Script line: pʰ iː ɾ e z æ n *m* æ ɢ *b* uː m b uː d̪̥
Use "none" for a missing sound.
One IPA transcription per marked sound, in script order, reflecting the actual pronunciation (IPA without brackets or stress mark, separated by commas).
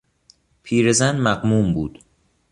m, m